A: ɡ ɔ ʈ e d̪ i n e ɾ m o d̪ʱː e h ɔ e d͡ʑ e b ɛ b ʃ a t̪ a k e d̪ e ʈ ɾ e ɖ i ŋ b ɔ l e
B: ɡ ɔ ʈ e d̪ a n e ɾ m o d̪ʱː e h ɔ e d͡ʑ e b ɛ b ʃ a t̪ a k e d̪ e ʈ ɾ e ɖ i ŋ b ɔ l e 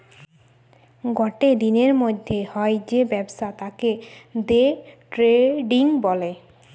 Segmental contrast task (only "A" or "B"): A